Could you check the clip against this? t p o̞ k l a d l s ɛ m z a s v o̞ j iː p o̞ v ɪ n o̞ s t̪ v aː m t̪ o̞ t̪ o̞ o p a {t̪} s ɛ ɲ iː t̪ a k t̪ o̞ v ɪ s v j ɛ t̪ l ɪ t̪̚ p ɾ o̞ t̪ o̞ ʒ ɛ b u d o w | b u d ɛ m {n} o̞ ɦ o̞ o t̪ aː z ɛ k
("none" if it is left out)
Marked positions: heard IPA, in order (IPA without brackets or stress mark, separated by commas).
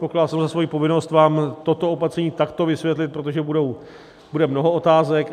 t̪, n